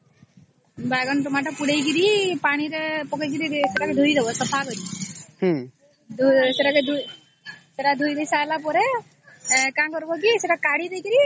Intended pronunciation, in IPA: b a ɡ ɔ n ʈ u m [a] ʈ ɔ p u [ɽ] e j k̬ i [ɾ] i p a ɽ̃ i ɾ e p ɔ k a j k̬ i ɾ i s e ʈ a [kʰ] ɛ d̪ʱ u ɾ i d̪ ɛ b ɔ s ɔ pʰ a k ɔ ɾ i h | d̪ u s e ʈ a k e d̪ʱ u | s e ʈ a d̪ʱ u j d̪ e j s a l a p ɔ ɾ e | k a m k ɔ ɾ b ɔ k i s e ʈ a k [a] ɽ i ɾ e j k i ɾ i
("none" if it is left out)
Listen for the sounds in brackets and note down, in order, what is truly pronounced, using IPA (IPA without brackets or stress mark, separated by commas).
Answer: a, ɽ, ɾ, k, a